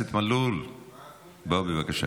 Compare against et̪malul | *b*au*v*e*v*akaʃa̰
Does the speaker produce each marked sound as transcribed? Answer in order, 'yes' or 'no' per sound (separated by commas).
yes, no, yes